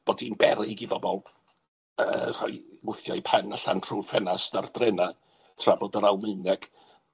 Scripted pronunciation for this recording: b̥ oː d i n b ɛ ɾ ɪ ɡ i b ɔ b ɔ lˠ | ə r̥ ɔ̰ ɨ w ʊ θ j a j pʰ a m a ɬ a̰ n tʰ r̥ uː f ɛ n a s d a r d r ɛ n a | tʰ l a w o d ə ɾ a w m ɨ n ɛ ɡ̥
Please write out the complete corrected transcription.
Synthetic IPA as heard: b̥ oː d i n b ɛ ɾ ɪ ɡ i b ɔ b ɔ lˠ | ə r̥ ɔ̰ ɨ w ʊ θ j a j pʰ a n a ɬ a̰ n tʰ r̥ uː f ɛ n a s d a r d r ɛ n a | tʰ r a b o d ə ɾ a w m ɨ n ɛ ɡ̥

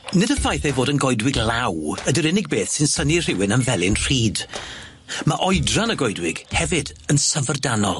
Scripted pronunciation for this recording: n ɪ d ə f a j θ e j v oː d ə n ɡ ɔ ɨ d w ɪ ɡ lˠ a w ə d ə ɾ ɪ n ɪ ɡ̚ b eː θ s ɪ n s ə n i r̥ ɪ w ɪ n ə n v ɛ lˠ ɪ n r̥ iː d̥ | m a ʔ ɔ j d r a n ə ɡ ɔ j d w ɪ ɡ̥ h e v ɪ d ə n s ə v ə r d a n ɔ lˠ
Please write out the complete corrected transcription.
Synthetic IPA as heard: n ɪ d ə f a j θ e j v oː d ə n ɡ ɔ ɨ d w ɪ ɡ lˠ a w ə d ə ɾ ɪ n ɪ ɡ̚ b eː θ s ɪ n s ə n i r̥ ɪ w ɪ n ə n v ɛ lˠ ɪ n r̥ iː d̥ | m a ʔ ɔ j d r a n ə ɡ ɔ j d w ɪ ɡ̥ h ɛ v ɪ d ə n s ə v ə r d a n ɔ lˠ

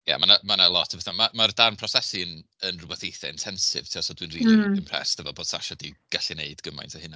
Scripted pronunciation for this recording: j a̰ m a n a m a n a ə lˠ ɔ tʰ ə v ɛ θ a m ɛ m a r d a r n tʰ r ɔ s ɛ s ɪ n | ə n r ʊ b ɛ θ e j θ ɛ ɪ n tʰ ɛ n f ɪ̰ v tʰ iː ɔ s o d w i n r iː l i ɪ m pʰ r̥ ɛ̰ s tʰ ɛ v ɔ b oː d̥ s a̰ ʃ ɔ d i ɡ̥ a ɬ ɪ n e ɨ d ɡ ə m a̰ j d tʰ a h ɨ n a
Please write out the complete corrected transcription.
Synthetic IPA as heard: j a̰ m a n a m a n a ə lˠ ɔ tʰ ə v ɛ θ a m a m a r d a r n pʰ r ɔ s ɛ s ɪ n | ə n r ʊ b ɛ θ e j θ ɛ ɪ n tʰ ɛ n s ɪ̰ v tʰ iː ɔ s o d w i n r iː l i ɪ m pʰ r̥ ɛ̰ s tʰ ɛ v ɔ b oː d̥ s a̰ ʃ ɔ d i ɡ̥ a ɬ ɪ n e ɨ d ɡ ə m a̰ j n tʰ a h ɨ n a

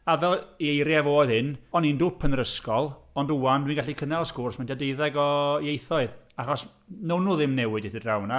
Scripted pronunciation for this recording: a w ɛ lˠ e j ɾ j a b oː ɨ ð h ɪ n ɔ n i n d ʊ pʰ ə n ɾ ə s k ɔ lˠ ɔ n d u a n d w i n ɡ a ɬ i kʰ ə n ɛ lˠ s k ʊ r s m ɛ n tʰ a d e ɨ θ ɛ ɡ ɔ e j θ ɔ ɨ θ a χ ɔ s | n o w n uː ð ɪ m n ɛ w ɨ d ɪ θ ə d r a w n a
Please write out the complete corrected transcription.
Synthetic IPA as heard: a v ɛ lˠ e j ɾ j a v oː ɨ ð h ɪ n ɔ n i n d ʊ pʰ ə n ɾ ə s k ɔ lˠ ɔ n d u a n d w i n ɡ a ɬ i kʰ ə n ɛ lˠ s k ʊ r s m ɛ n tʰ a d e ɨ ð ɛ ɡ ɔ e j θ ɔ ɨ ð a χ ɔ s | n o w n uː ð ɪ m n ɛ w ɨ d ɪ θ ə d r a w n a

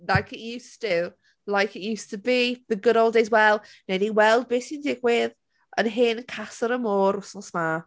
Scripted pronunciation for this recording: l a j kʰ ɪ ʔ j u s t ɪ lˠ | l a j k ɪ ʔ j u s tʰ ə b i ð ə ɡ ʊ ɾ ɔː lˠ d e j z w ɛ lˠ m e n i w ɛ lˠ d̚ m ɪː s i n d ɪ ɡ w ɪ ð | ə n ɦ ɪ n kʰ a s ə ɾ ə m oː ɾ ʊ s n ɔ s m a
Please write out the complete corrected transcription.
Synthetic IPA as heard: l a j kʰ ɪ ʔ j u s t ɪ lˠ | l a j k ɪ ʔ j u s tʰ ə b i ð ə ɡ ʊ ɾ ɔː lˠ d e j z w ɛ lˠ n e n i w ɛ lˠ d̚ b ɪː s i n d ɪ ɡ w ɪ ð | ə n ɦ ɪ n kʰ a s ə ɾ ə m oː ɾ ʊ s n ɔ s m a

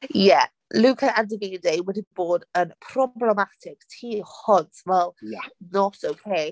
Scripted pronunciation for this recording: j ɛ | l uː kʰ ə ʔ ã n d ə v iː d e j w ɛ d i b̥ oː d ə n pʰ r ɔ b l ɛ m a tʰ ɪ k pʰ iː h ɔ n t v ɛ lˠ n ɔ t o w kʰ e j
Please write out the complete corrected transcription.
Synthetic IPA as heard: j ɛ | l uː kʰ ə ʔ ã n d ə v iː d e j w ɛ d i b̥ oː d ə n pʰ r ɔ b l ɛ m a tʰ ɪ k tʰ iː h ɔ n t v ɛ lˠ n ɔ t o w kʰ e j

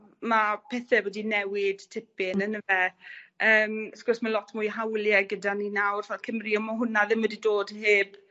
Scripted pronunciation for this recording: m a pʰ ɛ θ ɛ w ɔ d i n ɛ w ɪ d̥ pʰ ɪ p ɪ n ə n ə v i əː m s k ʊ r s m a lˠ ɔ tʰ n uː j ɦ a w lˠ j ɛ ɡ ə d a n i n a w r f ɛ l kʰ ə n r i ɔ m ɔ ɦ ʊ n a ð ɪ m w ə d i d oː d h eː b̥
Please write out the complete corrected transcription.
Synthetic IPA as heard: m a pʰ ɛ θ ɛ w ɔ d i n ɛ w ɪ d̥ tʰ ɪ p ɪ n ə n ə v ɛ əː m s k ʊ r s m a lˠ ɔ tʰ m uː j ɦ a w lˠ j ɛ ɡ ə d a n i n a w r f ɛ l kʰ ə m r i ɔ m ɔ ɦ ʊ n a ð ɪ m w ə d i d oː d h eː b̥

